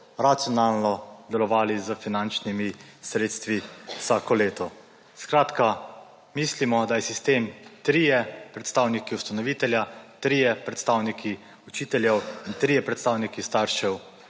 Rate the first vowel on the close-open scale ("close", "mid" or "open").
open